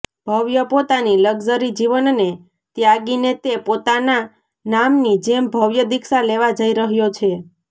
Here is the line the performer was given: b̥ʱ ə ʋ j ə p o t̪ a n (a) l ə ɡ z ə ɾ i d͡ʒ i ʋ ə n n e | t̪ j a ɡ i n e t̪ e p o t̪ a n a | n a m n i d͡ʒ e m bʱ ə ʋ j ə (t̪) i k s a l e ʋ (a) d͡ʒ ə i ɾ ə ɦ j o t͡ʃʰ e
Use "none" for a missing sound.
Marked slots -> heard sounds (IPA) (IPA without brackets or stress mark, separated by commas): i, d̪, a